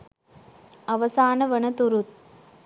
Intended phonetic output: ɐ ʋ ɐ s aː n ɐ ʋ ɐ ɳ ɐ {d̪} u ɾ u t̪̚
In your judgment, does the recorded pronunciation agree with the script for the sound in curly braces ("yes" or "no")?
no